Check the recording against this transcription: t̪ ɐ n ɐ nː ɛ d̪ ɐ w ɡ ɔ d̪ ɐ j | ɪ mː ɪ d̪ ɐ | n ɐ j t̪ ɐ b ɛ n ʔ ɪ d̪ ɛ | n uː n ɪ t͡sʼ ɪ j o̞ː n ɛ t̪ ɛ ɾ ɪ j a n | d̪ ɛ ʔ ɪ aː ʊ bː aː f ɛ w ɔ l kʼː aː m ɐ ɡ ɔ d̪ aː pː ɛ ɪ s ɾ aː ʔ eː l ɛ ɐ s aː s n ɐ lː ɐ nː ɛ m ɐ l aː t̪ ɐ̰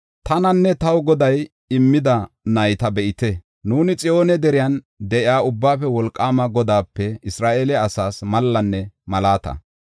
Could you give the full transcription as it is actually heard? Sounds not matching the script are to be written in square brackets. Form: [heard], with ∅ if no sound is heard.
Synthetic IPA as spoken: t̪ ɐ n ɐ nː ɛ [t̪] ɐ w ɡ ɔ d̪ ɐ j | ɪ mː ɪ d̪ ɐ | n ɐ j t̪ ɐ b ɛ [∅] ʔ ɪ [t̪] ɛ | n uː n ɪ t͡sʼ ɪ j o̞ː n ɛ [d̪] ɛ ɾ ɪ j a n | d̪ ɛ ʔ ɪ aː ʊ bː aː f ɛ w ɔ l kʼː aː m ɐ ɡ ɔ d̪ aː pː ɛ ɪ s ɾ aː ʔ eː l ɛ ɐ s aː s [m] ɐ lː ɐ nː ɛ m ɐ l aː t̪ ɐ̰